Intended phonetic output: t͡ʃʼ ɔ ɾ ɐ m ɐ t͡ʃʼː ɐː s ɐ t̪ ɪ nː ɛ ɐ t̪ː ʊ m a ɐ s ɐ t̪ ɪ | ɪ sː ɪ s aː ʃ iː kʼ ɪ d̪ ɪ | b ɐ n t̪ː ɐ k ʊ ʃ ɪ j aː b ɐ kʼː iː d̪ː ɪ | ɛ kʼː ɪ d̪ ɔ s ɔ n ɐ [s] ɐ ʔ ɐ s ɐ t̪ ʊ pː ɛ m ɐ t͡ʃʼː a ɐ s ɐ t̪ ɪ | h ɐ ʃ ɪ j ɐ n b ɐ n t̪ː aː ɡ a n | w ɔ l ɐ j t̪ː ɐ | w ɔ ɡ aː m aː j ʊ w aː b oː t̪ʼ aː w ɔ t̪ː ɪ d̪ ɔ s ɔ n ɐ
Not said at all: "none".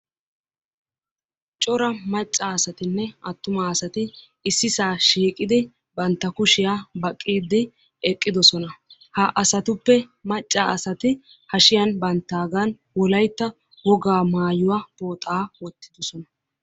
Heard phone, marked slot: h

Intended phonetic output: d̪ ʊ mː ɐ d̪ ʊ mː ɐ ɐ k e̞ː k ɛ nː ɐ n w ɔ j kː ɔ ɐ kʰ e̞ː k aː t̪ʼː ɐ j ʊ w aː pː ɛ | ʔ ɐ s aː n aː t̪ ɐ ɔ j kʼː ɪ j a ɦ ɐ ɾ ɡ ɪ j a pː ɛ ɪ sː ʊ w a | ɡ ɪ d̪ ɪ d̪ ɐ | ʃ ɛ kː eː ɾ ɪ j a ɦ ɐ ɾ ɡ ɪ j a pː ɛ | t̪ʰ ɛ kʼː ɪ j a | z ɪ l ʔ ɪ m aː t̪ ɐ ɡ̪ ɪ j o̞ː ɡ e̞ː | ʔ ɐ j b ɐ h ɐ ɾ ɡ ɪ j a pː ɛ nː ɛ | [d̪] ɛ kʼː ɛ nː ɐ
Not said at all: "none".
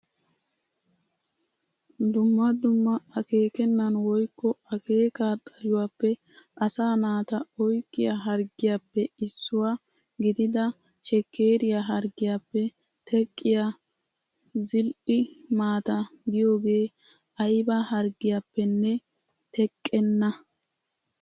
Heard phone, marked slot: t̪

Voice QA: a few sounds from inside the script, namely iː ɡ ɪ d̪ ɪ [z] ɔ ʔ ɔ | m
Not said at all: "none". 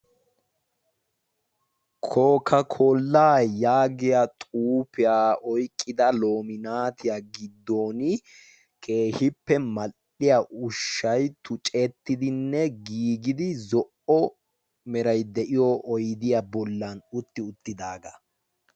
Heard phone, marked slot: z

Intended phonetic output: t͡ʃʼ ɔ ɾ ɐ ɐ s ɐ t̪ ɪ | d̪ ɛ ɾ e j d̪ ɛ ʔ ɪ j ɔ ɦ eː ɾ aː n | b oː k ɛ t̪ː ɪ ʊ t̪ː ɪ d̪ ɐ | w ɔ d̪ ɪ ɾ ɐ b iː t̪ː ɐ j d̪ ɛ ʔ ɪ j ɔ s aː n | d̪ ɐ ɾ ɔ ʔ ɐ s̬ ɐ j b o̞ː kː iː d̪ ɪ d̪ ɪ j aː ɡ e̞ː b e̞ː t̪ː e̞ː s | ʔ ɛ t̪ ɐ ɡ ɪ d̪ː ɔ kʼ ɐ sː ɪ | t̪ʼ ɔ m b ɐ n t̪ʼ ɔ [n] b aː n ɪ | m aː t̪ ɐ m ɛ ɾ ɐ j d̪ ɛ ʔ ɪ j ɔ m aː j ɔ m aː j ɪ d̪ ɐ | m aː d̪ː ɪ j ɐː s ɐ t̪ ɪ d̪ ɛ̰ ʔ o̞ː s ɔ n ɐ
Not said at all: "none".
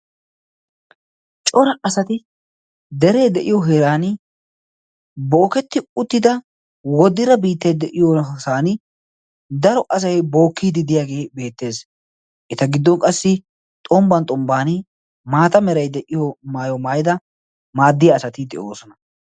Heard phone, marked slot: m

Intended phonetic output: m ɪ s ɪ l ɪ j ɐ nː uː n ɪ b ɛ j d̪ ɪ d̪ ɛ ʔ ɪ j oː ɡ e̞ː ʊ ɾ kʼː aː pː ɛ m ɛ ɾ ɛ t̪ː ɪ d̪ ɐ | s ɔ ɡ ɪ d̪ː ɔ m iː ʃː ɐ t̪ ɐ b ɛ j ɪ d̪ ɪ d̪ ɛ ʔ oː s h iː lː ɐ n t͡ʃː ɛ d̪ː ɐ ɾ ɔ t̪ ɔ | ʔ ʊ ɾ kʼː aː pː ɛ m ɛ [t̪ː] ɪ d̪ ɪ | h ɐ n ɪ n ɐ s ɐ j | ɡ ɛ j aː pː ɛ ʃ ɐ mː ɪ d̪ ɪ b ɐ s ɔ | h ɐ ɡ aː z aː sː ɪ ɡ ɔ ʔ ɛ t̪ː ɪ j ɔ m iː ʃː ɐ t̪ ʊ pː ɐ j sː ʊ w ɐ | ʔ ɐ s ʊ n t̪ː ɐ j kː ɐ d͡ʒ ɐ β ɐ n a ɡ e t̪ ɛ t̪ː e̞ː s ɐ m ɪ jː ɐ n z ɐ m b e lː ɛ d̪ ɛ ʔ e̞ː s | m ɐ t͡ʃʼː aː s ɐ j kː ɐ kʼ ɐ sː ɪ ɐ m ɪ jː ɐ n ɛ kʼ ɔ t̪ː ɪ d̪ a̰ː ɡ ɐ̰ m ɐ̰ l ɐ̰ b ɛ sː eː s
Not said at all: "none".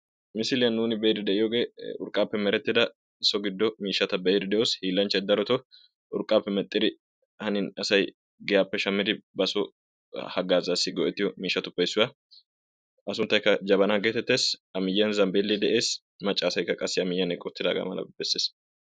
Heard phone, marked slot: t̪ʼː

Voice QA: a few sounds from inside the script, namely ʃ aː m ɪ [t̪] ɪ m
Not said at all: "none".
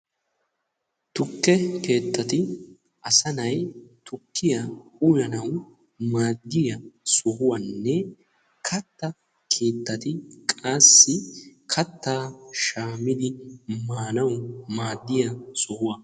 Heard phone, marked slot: d̪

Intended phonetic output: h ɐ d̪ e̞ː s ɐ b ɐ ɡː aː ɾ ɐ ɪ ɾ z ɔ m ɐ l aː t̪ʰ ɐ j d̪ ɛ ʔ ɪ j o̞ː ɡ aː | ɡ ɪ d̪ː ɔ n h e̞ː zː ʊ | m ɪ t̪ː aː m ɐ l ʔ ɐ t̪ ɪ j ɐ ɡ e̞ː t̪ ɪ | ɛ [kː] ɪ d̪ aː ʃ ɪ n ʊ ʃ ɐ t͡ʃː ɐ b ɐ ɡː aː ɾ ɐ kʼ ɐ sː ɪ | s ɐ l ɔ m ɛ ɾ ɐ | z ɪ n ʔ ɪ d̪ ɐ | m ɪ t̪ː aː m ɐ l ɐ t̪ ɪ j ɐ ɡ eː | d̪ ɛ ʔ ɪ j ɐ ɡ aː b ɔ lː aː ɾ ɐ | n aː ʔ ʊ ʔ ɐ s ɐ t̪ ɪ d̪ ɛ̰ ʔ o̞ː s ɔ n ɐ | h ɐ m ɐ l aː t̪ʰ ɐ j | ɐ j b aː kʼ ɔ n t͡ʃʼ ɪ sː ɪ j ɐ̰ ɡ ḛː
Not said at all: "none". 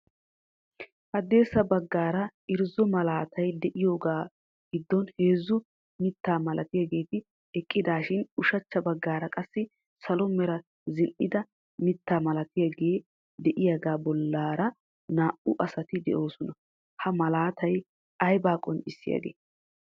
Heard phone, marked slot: kʼː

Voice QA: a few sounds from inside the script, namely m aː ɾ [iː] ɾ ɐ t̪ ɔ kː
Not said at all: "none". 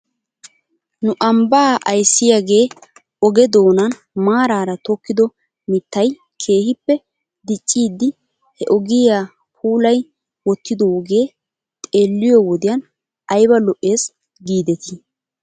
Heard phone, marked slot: aː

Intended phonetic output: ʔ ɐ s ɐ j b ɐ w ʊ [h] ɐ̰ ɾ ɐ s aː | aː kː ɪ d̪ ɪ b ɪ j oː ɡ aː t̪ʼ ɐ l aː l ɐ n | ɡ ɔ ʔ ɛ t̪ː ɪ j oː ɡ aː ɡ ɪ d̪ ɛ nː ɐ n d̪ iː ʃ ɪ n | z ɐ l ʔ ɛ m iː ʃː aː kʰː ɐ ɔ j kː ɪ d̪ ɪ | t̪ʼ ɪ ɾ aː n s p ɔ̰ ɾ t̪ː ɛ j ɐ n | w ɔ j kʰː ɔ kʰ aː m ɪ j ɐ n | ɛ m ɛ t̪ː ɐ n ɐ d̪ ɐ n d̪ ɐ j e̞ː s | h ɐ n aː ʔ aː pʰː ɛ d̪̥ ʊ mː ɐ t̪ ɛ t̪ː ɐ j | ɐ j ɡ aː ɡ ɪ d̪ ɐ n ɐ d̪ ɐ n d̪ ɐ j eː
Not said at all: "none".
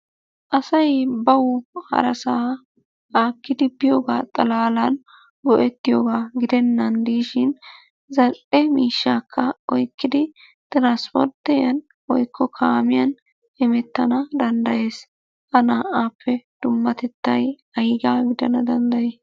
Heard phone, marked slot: h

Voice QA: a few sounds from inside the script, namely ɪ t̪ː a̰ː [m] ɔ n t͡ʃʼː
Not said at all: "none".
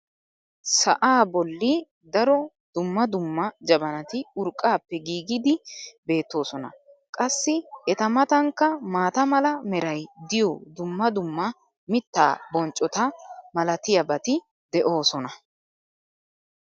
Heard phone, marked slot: b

